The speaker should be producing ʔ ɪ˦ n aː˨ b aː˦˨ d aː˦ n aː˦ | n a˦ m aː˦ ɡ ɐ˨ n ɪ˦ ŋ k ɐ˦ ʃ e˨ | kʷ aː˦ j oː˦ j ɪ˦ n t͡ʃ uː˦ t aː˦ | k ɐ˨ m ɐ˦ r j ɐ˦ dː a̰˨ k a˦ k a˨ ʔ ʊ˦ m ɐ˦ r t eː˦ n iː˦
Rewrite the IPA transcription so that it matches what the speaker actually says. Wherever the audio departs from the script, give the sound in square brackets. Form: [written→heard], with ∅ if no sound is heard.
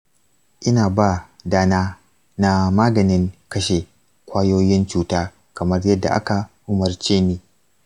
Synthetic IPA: ʔ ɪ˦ n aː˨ b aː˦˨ d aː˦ n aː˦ | n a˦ m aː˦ ɡ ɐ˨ n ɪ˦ ŋ k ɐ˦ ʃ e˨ | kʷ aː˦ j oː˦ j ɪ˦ n t͡ʃ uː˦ t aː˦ | k ɐ˨ m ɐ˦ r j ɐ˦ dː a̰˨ [k→ʔ] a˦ k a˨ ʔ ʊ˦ m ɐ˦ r [t→t͡ʃ] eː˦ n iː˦